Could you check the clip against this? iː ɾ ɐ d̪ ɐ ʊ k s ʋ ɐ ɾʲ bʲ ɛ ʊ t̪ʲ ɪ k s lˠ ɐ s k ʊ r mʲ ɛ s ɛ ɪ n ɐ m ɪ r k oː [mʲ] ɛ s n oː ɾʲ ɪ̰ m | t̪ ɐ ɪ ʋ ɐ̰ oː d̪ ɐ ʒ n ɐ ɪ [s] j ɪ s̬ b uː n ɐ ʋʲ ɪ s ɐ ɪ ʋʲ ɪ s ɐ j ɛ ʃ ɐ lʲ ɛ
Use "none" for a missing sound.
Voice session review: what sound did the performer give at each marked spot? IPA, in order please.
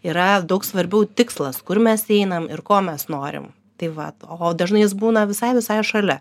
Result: mʲ, none

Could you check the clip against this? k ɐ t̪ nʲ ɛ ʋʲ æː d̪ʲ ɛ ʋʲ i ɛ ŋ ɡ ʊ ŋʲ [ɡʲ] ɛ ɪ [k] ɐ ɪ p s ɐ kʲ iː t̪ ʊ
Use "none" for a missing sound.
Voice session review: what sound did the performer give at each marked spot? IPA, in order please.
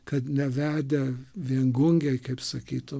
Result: ɡʲ, k

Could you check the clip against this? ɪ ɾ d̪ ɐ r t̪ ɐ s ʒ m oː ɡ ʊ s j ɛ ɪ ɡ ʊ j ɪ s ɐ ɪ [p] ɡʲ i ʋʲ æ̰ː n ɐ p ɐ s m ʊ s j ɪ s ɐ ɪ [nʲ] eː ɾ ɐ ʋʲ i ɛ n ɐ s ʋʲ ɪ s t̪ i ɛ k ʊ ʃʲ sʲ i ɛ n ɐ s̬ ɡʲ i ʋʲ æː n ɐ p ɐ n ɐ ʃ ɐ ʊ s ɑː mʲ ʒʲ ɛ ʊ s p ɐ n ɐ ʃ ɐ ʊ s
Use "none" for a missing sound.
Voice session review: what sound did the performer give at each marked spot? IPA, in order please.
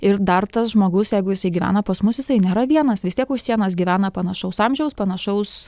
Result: none, nʲ

